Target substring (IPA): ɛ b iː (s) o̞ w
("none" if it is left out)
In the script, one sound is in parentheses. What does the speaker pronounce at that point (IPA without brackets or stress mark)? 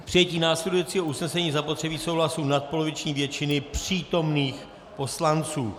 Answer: s